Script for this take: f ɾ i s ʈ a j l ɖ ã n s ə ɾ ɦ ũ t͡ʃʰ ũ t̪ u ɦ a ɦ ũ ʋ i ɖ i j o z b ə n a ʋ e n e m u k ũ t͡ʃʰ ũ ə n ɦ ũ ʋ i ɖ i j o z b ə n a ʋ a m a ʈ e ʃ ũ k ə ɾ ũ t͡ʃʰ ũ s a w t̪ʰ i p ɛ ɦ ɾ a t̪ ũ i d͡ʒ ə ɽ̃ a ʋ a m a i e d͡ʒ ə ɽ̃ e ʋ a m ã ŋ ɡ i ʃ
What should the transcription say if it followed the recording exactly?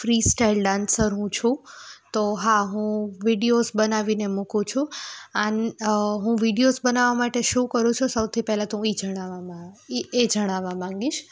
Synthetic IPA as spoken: f ɾ i s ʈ a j l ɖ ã n s ə ɾ ɦ ũ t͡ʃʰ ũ t̪ o ɦ a ɦ ũ ʋ i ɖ i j o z b ə n a ʋ i n e m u k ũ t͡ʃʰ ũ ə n ɦ ũ ʋ i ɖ i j o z b ə n a ʋ a m a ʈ e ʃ ũ k ə ɾ ũ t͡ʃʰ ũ s ə w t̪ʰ i p ɛ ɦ l a t̪ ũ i d͡ʒ ə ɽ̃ a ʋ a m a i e d͡ʒ ə ɽ̃ a ʋ a m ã ŋ ɡ i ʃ